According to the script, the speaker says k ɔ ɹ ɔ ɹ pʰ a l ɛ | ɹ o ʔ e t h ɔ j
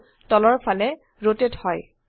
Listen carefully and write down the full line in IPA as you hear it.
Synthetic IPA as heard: t ɔ l ɔ ɹ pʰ a l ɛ | ɹ o t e t h ɔ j